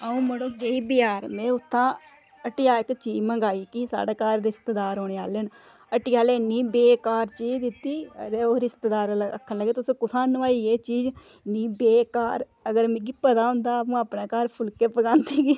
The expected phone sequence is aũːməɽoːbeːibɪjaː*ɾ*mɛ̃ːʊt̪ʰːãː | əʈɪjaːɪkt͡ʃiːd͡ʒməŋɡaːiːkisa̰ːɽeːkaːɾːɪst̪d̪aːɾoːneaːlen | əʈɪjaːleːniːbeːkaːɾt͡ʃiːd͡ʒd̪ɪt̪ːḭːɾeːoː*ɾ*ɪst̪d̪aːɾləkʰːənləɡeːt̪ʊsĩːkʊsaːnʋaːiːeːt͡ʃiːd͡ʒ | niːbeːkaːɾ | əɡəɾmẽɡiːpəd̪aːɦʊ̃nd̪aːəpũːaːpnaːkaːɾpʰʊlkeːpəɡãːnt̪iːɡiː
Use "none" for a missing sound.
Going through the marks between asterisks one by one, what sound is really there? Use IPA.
ɾ, ɾ

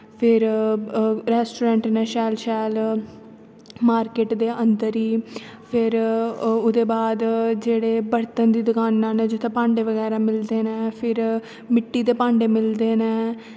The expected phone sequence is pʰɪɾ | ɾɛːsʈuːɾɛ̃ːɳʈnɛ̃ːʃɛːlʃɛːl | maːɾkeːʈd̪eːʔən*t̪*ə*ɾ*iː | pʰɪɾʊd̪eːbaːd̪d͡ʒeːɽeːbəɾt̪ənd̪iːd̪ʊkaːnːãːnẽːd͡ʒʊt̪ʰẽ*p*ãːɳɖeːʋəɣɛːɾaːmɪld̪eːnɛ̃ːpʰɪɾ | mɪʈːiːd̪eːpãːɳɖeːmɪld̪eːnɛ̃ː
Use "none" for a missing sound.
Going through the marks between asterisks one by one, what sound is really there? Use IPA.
d̪, ɾ, p

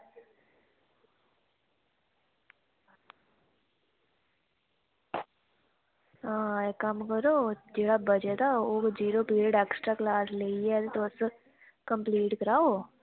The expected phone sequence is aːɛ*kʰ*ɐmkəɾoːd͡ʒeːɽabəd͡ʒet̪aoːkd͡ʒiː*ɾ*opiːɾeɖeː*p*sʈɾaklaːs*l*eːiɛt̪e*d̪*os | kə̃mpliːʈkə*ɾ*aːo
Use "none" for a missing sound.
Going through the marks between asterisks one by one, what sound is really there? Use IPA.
k, ɾ, k, l, t̪, ɾ

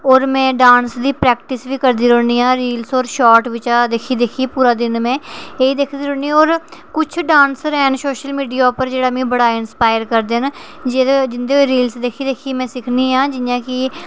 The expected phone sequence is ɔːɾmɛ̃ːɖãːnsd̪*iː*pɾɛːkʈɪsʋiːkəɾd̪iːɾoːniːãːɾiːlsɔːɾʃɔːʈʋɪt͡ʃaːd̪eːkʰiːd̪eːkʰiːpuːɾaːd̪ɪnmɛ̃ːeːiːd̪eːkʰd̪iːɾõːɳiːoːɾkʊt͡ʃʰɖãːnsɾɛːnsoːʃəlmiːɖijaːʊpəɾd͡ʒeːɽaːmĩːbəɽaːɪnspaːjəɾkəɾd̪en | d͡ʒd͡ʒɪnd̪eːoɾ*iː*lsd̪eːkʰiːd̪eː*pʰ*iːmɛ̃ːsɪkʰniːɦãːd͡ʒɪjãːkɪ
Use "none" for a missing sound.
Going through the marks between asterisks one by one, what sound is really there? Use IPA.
iː, iː, kʰ

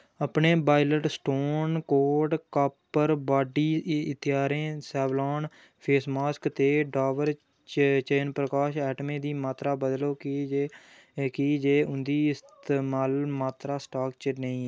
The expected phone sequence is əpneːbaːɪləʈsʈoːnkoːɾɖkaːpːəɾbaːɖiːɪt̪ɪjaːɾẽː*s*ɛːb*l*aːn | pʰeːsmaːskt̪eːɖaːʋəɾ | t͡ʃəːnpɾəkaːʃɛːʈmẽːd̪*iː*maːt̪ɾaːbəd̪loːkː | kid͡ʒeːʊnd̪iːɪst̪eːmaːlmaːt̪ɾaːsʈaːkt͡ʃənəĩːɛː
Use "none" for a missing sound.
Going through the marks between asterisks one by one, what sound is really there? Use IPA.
s, l, iː

